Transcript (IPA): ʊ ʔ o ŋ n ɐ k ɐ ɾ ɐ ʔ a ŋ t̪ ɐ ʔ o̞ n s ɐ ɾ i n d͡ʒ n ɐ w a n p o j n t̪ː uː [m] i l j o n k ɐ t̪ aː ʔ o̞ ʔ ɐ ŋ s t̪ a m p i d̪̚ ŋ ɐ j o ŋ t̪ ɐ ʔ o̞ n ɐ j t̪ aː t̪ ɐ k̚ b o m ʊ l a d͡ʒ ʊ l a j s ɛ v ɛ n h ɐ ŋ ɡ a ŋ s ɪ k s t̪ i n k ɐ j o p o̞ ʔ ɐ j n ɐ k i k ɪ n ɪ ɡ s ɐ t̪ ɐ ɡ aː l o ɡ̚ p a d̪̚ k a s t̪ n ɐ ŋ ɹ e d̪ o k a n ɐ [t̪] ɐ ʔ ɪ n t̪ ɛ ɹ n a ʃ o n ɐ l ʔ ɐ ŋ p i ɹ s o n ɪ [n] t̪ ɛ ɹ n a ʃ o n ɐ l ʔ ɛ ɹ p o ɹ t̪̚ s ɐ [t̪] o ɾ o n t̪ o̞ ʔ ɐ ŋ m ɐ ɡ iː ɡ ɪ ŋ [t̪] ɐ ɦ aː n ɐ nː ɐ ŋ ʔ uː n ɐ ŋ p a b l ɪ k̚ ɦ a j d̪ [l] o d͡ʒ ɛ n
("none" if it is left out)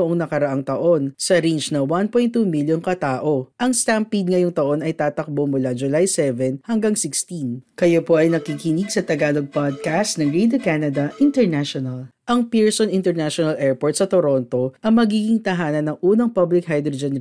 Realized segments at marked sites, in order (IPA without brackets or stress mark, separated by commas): m, d̪, n, t̪, t̪, ɾ